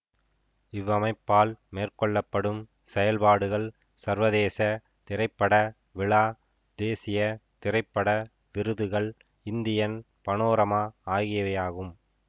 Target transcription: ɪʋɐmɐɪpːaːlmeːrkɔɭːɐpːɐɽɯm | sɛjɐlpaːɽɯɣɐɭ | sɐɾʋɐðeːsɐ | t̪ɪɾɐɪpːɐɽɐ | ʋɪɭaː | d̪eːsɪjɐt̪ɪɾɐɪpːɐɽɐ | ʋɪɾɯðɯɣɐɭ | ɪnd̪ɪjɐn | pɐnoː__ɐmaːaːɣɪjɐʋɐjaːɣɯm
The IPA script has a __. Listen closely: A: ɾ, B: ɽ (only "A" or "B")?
A